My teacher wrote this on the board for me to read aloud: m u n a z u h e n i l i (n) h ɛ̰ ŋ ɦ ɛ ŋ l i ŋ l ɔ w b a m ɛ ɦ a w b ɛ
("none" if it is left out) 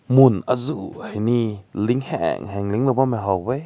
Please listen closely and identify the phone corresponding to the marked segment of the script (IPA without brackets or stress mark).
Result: ŋ